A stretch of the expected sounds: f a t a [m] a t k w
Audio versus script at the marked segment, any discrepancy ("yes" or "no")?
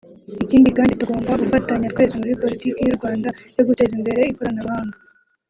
yes